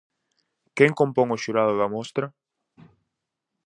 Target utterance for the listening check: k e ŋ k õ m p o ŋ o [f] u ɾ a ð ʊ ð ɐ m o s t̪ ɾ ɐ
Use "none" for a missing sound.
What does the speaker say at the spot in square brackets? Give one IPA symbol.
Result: ʃ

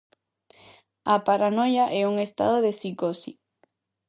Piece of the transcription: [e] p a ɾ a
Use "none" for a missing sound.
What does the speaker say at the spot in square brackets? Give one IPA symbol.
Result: a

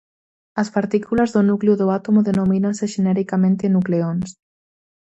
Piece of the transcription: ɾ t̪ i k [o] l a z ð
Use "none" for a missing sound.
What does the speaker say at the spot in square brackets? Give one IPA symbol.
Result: u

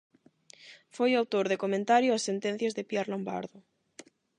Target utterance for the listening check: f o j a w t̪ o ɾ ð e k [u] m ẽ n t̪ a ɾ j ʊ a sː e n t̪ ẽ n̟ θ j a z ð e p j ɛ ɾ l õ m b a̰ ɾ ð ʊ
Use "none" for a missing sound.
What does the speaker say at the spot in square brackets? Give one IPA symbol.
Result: o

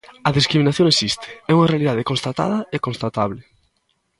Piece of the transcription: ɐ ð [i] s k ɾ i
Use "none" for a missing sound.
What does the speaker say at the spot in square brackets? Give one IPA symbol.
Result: i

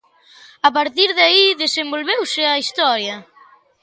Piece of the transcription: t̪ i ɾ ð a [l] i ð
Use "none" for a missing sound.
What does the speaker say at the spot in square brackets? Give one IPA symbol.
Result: none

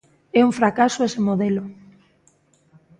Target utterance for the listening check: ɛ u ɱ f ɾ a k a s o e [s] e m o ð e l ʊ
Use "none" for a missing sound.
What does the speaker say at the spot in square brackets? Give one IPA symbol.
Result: s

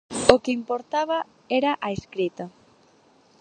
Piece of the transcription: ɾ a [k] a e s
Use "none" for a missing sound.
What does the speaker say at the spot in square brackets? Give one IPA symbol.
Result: ʔ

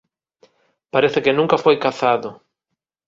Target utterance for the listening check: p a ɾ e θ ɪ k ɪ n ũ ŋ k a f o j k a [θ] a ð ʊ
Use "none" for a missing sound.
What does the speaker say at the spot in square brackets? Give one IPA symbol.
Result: θ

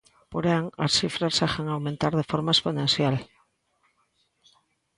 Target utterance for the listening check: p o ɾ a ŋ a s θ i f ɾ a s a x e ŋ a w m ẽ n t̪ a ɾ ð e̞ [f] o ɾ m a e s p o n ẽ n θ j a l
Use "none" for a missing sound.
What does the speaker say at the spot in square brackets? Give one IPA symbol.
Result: f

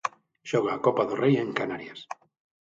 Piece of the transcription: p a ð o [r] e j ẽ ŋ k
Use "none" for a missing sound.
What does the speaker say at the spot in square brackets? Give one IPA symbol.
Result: r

